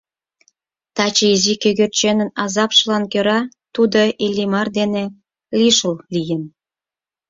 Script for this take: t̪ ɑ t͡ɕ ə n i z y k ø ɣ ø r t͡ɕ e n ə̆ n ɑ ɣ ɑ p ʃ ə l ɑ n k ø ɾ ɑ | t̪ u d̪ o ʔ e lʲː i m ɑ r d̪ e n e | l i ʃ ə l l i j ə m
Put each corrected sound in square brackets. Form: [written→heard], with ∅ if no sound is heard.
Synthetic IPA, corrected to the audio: t̪ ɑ t͡ɕ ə [n→∅] i z [y→i] k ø ɣ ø r t͡ɕ e n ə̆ n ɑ [ɣ→z] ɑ p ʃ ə l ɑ n k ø ɾ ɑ | t̪ u d̪ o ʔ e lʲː i m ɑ r d̪ e n e | l i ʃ ə l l i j ə [m→n]